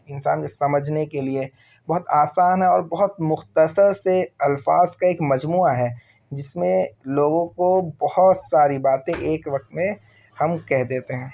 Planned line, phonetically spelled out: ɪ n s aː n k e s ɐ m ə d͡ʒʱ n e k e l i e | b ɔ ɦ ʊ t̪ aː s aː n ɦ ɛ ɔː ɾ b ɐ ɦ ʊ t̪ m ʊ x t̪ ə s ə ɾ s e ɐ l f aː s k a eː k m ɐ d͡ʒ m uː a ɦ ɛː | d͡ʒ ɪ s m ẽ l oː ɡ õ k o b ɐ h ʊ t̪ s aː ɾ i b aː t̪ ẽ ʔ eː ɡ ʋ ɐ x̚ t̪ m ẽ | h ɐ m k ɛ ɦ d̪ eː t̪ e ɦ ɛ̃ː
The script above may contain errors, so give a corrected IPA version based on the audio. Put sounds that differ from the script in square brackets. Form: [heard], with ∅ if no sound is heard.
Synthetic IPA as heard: ɪ n s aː n k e s ɐ m ə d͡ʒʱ n e k e l i e | b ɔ ɦ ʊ t̪ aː s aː n ɦ ɛ ɔː ɾ b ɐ ɦ ʊ t̪ m ʊ x t̪ ə s ə ɾ s e ɐ l f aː [z] k a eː k m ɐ d͡ʒ m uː a ɦ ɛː | d͡ʒ ɪ s m ẽ l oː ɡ õ k o b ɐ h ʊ t̪ s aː ɾ i b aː t̪ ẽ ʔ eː [k] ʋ ɐ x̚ t̪ m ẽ | h ɐ m k ɛ ɦ d̪ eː t̪ e ɦ ɛ̃ː